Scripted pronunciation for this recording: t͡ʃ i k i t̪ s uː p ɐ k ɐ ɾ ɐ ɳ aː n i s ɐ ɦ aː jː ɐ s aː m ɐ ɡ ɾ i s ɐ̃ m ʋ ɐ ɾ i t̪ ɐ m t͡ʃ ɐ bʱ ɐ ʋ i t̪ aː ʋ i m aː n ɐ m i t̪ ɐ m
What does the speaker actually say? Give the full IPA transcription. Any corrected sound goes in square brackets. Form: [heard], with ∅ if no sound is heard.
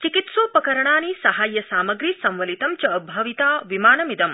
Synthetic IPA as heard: t͡ʃ i k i t̪ s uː p ɐ k ɐ ɾ ɐ ɳ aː n i s ɐ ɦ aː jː ɐ s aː m ɐ ɡ ɾ i s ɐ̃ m ʋ ɐ [l] i t̪ ɐ m t͡ʃ ɐ bʱ ɐ ʋ i t̪ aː ʋ i m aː n ɐ m i [d̪] ɐ m